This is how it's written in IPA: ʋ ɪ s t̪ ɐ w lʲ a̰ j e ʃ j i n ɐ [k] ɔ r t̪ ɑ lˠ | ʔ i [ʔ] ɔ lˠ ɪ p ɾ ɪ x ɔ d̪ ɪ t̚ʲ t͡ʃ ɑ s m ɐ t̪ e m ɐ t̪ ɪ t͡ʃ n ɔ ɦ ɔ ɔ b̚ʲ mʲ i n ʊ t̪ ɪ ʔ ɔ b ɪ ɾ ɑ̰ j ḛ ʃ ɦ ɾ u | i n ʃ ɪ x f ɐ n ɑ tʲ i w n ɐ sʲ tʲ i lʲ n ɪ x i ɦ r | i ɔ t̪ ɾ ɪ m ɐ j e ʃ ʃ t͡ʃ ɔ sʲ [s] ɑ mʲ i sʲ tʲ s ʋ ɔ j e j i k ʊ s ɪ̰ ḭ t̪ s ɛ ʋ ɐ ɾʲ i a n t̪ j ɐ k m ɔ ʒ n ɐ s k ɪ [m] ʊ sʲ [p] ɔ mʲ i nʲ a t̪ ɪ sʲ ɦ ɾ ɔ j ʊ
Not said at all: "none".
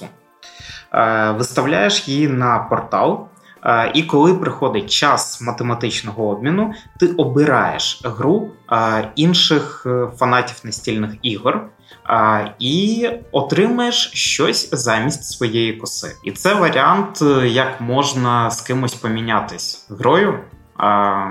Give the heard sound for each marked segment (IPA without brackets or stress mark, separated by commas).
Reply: p, k, z, m, p